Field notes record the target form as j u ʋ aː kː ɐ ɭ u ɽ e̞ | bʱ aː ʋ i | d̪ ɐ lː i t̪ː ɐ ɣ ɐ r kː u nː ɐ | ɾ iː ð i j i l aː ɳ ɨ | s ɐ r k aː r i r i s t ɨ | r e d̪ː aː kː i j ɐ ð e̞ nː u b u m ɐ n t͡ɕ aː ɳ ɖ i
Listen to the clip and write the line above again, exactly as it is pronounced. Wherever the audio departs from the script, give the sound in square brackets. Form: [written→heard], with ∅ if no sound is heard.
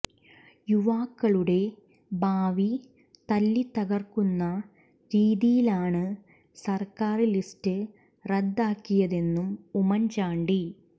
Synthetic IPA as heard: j u ʋ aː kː ɐ ɭ u ɽ e̞ | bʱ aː ʋ i | [d̪→t̪] ɐ lː i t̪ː ɐ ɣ ɐ r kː u nː ɐ | ɾ iː ð i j i l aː ɳ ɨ | s ɐ r k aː r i [r→l] i s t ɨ | r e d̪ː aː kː i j ɐ ð e̞ nː u [b→m] u m ɐ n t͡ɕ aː ɳ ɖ i

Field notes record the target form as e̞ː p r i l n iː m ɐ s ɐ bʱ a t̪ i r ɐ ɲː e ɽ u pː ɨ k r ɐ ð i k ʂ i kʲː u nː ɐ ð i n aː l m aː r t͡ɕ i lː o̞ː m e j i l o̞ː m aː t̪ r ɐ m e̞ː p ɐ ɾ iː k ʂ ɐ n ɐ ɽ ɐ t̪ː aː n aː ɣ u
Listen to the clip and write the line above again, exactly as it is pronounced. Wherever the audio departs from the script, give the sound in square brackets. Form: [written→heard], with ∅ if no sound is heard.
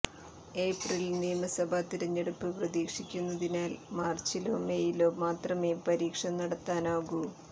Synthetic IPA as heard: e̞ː p r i l n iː m ɐ s ɐ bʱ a t̪ i [r→ɾ] ɐ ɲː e ɽ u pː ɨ [k→p] r ɐ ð [i→iː] k ʂ i kʲː u nː ɐ ð i n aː l m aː r t͡ɕ i [lː→l] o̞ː m e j i l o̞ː m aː t̪ r ɐ m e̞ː p ɐ ɾ iː k ʂ ɐ n ɐ ɽ ɐ t̪ː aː n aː ɣ u

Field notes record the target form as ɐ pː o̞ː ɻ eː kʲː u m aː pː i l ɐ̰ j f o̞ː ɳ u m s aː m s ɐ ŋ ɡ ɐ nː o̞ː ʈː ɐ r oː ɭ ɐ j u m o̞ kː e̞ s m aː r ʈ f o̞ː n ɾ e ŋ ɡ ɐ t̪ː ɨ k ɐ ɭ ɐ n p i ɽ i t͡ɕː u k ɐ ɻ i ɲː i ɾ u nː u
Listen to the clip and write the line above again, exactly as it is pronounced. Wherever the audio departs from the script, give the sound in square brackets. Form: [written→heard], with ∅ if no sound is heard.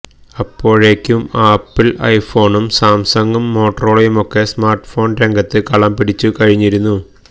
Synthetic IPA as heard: ɐ pː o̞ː ɻ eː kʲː u m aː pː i l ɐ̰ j f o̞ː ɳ u m s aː m s ɐ ŋ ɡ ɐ [nː→mː] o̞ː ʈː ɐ r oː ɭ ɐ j u m o̞ kː e̞ s m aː r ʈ f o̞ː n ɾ e ŋ ɡ ɐ t̪ː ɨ k ɐ ɭ ɐ [n→m] p i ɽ i t͡ɕː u k ɐ ɻ i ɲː i ɾ u nː u

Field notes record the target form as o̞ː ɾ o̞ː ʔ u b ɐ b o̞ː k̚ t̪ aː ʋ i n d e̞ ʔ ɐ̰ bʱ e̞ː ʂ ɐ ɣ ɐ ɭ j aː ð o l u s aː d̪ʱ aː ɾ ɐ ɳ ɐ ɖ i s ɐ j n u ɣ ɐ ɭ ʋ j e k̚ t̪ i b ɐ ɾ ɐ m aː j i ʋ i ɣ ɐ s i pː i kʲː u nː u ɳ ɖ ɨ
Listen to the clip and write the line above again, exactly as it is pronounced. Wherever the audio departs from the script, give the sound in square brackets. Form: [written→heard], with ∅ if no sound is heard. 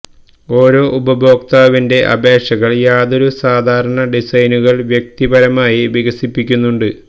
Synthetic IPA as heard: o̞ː ɾ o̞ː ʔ u b ɐ b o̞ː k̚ t̪ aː ʋ i n d e̞ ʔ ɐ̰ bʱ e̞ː ʂ ɐ ɣ ɐ ɭ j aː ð o [l→ɾ] u s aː d̪ʱ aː ɾ ɐ ɳ ɐ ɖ i s ɐ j n u ɣ ɐ ɭ ʋ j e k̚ t̪ i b ɐ ɾ ɐ m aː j i ʋ i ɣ ɐ s i pː i kʲː u nː u ɳ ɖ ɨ

